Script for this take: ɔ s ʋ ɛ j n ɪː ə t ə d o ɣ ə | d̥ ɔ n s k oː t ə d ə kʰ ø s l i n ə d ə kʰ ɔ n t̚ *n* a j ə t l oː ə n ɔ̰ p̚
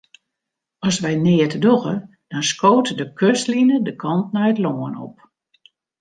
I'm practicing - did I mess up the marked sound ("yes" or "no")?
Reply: no